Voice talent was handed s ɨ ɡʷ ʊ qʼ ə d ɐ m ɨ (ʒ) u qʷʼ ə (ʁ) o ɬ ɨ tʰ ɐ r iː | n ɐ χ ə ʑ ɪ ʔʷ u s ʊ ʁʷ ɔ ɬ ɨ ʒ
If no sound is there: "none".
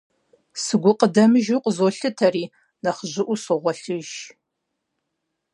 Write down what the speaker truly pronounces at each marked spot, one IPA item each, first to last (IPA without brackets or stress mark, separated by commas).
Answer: ʒ, z